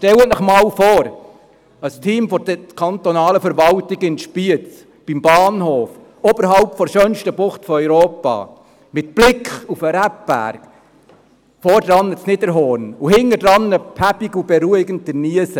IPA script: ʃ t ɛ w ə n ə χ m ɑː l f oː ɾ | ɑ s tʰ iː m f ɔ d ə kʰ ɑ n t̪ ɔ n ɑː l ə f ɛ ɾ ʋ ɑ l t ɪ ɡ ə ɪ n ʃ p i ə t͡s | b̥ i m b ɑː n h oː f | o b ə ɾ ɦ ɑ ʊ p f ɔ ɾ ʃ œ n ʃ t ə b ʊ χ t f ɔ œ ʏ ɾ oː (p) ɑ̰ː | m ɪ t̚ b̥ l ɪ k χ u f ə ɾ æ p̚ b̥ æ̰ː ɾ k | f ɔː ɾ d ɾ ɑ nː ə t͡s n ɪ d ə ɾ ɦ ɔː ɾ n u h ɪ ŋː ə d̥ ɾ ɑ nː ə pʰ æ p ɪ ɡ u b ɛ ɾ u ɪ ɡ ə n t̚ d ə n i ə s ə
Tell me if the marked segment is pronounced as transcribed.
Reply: yes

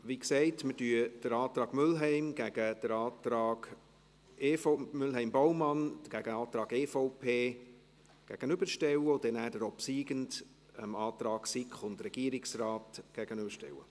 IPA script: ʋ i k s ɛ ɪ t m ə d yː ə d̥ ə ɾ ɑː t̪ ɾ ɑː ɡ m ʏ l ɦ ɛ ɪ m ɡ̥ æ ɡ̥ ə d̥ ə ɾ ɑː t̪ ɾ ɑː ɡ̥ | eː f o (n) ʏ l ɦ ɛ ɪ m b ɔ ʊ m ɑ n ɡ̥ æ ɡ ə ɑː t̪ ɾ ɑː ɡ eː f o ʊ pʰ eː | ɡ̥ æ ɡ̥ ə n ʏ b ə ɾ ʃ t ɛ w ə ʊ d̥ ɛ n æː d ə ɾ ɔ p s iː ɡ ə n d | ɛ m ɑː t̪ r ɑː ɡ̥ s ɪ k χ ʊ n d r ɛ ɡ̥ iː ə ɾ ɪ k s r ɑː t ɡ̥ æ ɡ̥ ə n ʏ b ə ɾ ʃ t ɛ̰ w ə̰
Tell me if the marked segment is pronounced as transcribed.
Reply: no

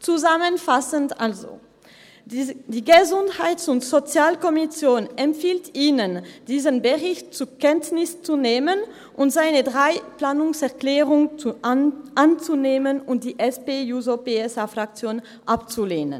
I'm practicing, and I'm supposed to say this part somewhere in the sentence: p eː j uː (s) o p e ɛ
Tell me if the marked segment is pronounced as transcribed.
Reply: no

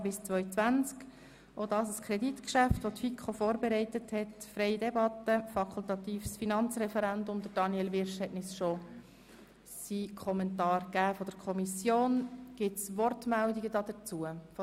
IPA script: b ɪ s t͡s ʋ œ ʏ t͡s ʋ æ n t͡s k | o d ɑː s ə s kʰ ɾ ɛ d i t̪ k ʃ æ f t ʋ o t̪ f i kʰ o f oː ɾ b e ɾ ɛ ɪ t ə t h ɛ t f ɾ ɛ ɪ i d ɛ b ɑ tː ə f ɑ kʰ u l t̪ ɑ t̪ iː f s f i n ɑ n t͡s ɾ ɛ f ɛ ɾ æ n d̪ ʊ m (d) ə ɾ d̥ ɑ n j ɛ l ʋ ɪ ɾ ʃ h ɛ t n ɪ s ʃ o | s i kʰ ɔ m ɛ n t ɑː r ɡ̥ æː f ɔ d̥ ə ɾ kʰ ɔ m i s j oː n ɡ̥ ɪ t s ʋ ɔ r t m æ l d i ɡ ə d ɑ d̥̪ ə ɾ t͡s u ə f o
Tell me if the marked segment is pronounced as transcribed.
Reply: yes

